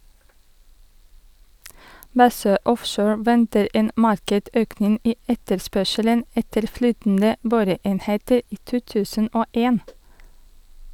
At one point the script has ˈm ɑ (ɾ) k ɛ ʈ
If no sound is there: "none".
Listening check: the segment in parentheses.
ɾ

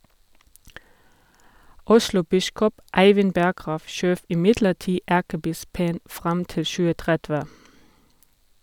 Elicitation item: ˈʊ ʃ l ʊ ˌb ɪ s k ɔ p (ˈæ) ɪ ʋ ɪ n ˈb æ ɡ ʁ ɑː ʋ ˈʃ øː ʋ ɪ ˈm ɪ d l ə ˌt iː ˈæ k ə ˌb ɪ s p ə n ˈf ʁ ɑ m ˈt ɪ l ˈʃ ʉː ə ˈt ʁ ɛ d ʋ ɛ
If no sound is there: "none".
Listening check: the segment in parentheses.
æ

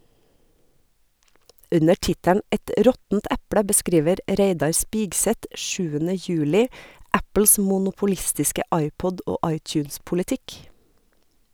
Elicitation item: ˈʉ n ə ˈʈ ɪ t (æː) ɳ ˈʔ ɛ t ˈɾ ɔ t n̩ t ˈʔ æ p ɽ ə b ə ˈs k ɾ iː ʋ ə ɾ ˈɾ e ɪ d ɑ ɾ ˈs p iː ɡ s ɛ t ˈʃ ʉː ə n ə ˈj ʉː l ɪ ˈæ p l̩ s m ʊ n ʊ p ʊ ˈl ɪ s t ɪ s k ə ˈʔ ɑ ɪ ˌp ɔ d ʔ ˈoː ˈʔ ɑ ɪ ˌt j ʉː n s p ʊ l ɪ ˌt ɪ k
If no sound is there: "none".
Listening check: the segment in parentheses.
æ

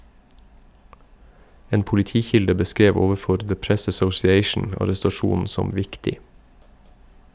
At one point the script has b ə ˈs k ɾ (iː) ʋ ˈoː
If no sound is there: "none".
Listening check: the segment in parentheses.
eː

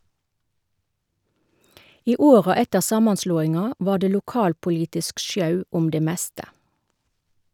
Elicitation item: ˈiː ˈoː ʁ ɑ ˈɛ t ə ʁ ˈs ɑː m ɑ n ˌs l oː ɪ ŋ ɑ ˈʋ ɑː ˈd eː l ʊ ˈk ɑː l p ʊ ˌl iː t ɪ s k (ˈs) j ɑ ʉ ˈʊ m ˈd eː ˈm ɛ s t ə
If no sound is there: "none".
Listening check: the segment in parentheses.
ʃ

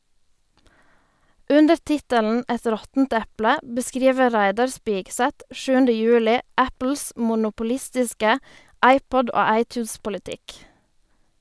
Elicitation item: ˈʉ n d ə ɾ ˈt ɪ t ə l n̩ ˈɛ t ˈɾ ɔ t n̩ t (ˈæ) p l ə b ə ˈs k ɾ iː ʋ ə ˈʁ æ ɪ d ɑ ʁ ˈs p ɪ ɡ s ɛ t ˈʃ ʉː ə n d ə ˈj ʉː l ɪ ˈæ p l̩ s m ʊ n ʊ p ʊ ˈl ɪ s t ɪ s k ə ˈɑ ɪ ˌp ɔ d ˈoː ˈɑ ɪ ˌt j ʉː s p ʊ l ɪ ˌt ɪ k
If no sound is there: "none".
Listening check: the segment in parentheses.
ɛ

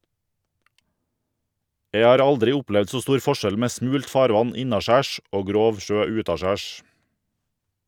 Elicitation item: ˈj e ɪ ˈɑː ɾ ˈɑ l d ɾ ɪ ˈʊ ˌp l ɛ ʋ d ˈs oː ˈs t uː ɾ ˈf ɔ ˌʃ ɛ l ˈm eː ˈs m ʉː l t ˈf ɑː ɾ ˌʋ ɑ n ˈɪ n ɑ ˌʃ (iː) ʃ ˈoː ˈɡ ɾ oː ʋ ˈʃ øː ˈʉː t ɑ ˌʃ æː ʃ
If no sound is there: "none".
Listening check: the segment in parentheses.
æː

